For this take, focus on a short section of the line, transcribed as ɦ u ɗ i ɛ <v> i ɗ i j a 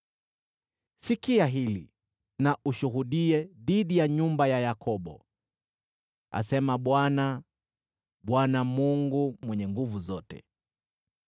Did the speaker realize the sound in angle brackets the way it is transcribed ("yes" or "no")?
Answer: no